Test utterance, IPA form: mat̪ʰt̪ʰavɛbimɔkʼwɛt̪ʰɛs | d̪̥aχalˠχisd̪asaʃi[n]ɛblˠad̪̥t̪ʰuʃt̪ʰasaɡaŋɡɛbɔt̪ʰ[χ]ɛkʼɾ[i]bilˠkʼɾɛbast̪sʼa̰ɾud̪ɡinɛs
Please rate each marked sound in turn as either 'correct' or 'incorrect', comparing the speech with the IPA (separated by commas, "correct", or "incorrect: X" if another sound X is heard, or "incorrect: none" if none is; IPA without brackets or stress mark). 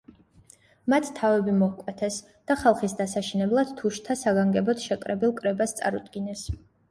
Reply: correct, incorrect: ʃ, incorrect: ɛ